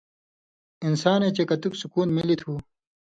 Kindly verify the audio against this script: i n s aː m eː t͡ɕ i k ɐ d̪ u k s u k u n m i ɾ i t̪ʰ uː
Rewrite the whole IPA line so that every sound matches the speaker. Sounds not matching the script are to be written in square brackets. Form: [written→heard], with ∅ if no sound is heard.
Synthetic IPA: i n s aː [m→n] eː t͡ɕ [i→e] k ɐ [d̪→t̪] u k s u k [u→uː] n m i [ɾ→l] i t̪ʰ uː